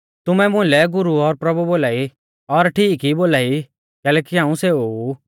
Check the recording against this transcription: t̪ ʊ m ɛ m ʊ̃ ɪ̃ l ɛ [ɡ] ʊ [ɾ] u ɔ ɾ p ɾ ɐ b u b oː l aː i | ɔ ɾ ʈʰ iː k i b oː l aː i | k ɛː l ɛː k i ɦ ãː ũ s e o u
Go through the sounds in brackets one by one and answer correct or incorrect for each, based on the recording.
correct, correct

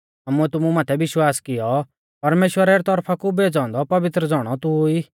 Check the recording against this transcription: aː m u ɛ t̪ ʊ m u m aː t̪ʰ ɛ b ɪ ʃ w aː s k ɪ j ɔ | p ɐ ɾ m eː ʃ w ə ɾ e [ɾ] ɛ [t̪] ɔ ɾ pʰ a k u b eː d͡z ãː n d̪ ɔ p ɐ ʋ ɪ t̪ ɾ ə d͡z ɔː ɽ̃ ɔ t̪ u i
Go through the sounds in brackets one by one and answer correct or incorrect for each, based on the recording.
correct, correct

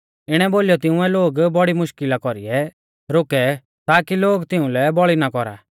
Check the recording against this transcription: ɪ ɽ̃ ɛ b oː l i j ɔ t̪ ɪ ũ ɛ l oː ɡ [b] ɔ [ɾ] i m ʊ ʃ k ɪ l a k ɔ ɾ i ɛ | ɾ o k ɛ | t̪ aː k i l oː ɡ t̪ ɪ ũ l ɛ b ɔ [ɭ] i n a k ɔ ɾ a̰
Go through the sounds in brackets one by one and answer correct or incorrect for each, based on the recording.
correct, incorrect: ɽ, correct

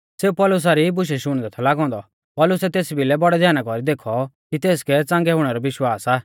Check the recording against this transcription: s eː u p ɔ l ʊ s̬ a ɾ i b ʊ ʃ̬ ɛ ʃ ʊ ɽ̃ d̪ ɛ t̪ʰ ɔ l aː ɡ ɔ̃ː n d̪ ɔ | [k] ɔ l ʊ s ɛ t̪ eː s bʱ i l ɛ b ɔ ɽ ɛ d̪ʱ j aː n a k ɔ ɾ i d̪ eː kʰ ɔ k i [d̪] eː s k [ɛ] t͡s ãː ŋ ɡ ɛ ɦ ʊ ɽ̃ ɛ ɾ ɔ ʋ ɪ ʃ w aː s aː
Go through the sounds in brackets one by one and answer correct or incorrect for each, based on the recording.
incorrect: p, incorrect: t̪, correct

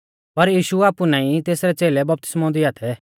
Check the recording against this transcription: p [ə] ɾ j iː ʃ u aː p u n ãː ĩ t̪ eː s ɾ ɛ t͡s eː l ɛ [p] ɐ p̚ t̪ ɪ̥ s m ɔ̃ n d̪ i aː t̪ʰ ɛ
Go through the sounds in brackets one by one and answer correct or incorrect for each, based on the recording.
incorrect: ɐ, incorrect: b

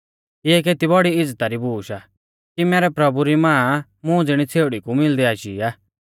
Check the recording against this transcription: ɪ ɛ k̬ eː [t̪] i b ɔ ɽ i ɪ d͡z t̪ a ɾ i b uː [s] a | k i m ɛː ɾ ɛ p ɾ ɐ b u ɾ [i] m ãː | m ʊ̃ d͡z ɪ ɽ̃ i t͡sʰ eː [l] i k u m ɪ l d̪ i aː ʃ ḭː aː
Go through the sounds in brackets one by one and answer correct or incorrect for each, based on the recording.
correct, incorrect: ʃ, correct, incorrect: ɽ

